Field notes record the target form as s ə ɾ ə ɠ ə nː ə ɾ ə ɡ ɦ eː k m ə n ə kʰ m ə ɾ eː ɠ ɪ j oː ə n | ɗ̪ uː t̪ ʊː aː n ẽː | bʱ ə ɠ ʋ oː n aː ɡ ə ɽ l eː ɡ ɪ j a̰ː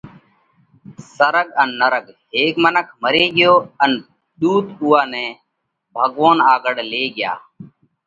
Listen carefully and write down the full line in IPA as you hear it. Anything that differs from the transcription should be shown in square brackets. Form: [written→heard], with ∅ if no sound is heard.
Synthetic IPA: s ə ɾ ə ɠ ə nː ə ɾ ə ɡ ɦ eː k m ə n ə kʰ m ə ɾ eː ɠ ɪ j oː ə n | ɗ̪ uː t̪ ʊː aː n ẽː | bʱ ə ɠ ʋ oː n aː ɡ ə ɽ l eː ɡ ɪ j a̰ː